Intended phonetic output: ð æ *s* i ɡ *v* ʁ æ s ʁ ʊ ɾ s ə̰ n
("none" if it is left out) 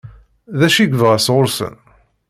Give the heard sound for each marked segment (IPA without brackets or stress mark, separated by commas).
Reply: ʃ, v